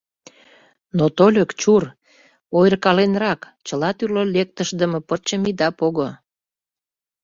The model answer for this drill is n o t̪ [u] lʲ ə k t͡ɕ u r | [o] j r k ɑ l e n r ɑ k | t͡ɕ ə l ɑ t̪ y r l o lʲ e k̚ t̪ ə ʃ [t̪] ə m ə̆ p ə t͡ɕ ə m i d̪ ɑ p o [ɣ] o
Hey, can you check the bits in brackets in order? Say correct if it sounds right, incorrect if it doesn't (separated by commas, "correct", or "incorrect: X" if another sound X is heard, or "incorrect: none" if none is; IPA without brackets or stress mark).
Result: incorrect: o, correct, incorrect: d̪, correct